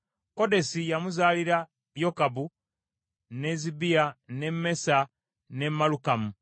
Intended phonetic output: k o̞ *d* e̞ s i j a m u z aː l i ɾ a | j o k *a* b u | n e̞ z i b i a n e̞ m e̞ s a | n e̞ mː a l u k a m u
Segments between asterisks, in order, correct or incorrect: correct, correct

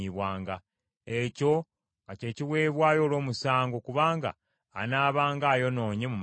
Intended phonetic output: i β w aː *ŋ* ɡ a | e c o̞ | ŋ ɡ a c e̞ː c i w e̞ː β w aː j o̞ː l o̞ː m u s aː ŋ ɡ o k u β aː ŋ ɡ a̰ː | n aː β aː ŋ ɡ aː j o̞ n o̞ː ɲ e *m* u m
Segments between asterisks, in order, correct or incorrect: correct, correct

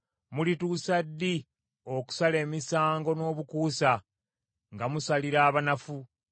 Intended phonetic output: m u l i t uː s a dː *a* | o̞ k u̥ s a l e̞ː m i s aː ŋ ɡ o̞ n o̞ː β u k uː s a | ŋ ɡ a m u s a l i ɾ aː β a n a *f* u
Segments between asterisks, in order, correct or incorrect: incorrect: i, correct

